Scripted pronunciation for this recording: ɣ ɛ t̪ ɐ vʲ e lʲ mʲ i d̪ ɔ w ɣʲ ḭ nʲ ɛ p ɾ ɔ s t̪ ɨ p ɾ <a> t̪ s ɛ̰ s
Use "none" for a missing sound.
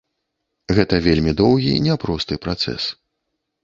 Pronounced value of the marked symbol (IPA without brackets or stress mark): a